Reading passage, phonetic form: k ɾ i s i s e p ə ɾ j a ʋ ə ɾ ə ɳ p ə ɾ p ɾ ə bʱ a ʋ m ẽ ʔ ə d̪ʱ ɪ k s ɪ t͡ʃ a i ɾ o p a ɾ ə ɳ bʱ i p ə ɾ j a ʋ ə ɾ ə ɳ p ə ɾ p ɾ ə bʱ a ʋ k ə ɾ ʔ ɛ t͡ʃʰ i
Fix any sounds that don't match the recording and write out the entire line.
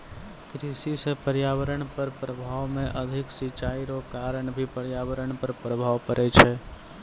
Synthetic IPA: k ɾ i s i s e p ə ɾ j a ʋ ə ɾ ə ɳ p ə ɾ p ɾ ə bʱ a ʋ m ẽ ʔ ə d̪ʱ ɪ k s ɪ t͡ʃ a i ɾ o k a ɾ ə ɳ bʱ i p ə ɾ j a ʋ ə ɾ ə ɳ p ə ɾ p ɾ ə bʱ a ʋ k ə ɾ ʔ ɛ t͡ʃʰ ɛ

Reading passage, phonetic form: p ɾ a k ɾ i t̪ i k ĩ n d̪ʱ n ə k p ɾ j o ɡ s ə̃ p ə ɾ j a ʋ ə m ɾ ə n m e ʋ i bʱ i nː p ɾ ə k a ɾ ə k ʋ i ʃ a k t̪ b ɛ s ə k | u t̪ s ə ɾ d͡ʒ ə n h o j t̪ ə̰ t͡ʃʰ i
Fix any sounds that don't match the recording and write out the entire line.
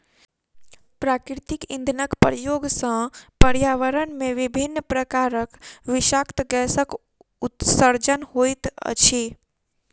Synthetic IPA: p ɾ a k ɾ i t̪ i k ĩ n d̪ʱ n ə k p ɾ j o ɡ s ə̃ p ə ɾ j a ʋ ə ɾ ə n m e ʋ i bʱ i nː p ɾ ə k a ɾ ə k ʋ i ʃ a k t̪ ɡ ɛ s ə k | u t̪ s ə ɾ d͡ʒ ə n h o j t̪ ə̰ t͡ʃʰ i

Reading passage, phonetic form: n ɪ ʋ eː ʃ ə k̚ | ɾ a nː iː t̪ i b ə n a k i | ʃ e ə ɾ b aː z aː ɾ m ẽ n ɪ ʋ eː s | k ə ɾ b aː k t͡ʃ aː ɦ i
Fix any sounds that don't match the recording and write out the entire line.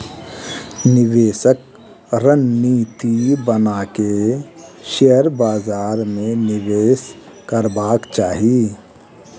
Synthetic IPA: n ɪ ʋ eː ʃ ə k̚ | ɾ ə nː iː t̪ i b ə n a k e | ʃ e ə ɾ b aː z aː ɾ m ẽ n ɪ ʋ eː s | k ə ɾ b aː k t͡ʃ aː ɦ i

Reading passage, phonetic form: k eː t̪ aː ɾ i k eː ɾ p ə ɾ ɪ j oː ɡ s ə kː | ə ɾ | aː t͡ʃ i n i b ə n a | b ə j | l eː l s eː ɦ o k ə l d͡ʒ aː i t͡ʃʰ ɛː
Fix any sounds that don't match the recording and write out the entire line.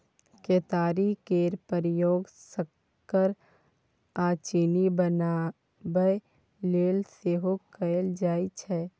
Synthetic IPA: k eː t̪ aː ɾ i k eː ɾ p ə ɾ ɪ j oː ɡ s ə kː | ə ɾ | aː t͡ʃ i n i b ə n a | b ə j | l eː l s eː ɦ o k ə l d͡ʒ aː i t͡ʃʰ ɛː

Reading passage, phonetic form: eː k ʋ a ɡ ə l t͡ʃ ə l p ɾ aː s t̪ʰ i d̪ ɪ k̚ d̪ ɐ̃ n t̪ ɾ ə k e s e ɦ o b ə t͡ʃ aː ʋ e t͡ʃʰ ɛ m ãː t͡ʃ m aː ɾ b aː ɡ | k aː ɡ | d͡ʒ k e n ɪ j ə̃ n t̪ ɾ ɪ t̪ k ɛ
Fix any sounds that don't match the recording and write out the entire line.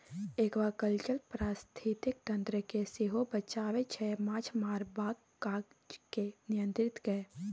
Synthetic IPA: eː k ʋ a k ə l t͡ʃ ə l p ɾ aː s t̪ʰ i t̪ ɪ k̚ t̪ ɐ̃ n t̪ ɾ ə k e s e ɦ o b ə t͡ʃ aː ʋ e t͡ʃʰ ɛ m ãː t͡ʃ m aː ɾ b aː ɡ | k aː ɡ | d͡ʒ k e n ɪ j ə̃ n t̪ ɾ ɪ t̪ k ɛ

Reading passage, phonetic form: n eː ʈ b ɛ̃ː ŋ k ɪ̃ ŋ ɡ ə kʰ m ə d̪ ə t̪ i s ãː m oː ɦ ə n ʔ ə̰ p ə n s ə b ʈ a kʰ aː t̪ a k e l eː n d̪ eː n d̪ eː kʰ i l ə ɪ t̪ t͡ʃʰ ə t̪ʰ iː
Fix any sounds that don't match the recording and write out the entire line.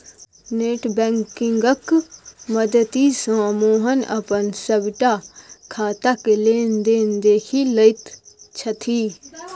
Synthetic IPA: n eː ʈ b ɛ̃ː ŋ k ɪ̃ ŋ ɡ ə k m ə d̪ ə t̪ i s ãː m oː ɦ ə n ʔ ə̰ p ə n s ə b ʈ a kʰ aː t̪ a k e l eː n d̪ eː n d̪ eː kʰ i l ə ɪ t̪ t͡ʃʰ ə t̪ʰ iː

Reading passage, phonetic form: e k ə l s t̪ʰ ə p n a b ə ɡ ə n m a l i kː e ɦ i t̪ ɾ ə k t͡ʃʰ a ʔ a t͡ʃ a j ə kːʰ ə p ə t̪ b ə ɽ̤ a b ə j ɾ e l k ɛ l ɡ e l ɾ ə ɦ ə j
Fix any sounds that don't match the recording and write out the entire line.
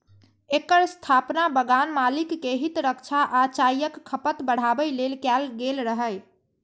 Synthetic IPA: e k ə ɾ s t̪ʰ a p n a b ə ɡ a n m a l i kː e ɦ i t̪ ɾ ə k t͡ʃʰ a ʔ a t͡ʃ a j ə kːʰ ə p ə t̪ b ə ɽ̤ a b ə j l e l k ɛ l ɡ e l ɾ ə ɦ ə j

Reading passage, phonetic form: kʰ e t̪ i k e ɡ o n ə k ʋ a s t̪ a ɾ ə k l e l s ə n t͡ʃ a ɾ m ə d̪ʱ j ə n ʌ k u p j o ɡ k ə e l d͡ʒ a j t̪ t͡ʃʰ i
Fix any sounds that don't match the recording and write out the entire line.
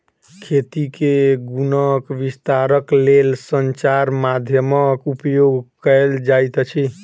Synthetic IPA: kʰ e t̪ i k e ɡ u n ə k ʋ i s t̪ a ɾ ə k l e l s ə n t͡ʃ a ɾ m a d̪ʱ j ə m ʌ k u p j o ɡ k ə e l d͡ʒ a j t̪ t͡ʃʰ i

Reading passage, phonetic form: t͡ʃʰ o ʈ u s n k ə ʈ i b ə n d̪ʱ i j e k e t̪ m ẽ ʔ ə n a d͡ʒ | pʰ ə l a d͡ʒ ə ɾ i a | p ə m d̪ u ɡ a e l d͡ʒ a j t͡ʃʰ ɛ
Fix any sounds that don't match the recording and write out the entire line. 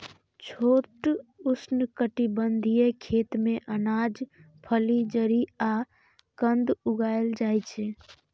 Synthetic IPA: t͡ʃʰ o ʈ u s n k ə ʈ i b ə n d̪ʱ i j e kʰ e t̪ m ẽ ʔ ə n a d͡ʒ | pʰ ə l i d͡ʒ ə ɾ i a | k ə n d̪ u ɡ a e l d͡ʒ a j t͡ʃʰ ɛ

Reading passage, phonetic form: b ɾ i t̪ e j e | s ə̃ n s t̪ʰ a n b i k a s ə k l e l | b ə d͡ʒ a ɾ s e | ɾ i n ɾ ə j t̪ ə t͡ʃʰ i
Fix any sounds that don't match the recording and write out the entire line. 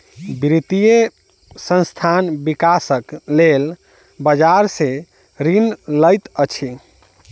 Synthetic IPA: b ɾ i t̪ i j e | s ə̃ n s t̪ʰ a n b i k a s ə k l e l | b ə d͡ʒ a ɾ s e | ɾ i n l ə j t̪ ə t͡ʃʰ i

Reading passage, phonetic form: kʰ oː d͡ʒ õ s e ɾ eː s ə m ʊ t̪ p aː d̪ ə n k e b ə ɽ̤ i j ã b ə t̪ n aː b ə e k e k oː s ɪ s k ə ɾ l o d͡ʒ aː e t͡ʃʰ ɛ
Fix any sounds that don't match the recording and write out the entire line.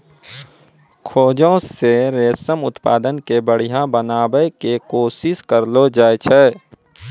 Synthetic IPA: kʰ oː d͡ʒ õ s e ɾ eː s ə m ʊ t̪ p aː d̪ ə n k e b ə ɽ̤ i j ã b ə n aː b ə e k e k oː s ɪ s k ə ɾ l o d͡ʒ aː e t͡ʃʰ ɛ

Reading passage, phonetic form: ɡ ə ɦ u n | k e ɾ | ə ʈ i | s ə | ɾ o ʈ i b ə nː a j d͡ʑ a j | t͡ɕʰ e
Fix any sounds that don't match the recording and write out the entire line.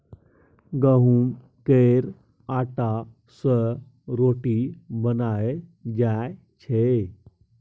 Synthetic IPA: ɡ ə ɦ u m | k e ɾ | a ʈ a | s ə | ɾ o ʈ i b ə n a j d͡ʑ a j | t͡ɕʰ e

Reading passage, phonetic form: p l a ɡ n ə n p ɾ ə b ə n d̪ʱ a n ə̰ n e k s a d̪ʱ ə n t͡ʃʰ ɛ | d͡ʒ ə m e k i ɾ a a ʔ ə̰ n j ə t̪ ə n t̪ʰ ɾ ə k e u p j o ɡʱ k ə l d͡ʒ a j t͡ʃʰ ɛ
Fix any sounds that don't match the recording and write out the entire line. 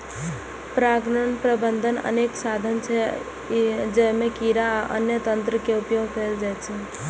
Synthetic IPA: p ɾ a ɡ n ə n p ɾ ə b ə n d̪ʱ ə n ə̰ n e k s a d̪ʱ ə n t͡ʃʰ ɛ | d͡ʒ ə m e k i ɾ a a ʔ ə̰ n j ə t̪ ə n t̪ ɾ ə k e u p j o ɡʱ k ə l d͡ʒ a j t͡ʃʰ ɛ

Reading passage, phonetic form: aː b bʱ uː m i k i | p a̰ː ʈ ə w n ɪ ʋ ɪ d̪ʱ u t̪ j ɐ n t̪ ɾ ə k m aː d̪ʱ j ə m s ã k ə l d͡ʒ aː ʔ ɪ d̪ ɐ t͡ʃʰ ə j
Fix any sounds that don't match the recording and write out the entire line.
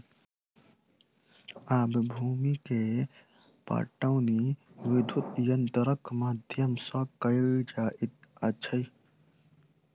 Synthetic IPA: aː b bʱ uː m i k e | p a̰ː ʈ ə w n i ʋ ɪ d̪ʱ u t̪ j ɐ n t̪ ɾ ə k m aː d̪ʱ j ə m s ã k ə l d͡ʒ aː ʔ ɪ t̪ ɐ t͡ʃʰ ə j

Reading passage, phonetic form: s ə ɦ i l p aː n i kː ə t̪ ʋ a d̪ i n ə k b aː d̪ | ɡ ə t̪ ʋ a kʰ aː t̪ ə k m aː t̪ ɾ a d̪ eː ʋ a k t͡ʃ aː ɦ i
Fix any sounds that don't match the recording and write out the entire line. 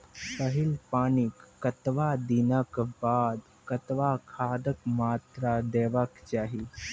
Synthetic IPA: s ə ɦ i l p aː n i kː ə t̪ ʋ a d̪ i n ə k b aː d̪ | k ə t̪ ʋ a kʰ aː d̪ ə k m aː t̪ ɾ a d̪ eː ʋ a k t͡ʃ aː ɦ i

